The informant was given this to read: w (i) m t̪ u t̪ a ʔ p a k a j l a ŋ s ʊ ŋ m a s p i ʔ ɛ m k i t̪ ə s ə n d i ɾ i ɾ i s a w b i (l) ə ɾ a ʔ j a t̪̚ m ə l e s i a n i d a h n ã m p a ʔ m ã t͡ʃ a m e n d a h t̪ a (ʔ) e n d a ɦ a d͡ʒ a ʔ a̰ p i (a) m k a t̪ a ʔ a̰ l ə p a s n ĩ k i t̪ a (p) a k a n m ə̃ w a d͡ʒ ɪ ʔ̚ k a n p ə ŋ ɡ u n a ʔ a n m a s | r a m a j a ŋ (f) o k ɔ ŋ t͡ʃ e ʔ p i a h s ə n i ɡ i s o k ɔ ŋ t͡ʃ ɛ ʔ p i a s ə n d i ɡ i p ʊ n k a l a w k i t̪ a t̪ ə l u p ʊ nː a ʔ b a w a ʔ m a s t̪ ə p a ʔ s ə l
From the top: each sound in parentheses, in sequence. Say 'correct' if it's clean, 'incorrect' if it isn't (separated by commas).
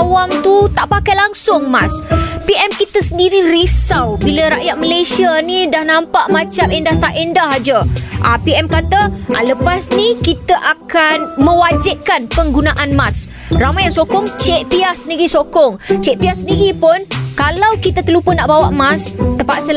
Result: incorrect, correct, correct, incorrect, incorrect, incorrect